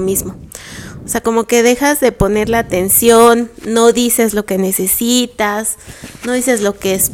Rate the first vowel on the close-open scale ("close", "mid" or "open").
close